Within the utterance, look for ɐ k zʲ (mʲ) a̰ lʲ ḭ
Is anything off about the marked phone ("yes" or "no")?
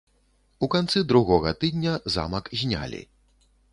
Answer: yes